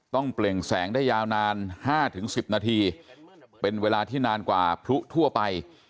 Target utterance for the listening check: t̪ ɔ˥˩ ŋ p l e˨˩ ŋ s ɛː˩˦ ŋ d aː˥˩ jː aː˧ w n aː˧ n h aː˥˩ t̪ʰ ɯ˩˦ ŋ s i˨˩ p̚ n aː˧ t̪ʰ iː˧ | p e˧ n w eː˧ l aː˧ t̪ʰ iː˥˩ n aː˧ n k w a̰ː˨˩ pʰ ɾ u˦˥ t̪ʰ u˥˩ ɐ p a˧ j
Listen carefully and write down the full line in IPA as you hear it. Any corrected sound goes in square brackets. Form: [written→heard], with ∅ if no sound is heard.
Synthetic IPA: t̪ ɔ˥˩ ŋ p l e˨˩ ŋ s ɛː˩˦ ŋ d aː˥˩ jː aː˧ w n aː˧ n h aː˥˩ t̪ʰ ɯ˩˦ ŋ s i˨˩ p̚ n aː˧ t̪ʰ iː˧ | p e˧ n w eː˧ l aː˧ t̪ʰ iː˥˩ n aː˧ n k w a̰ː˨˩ pʰ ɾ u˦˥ t̪ʰ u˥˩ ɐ p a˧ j